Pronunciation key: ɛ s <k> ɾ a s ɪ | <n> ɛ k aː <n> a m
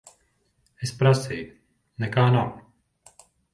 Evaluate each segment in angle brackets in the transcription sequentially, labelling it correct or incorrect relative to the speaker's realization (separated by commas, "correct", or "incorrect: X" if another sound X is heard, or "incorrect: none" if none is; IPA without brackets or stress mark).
incorrect: p, correct, correct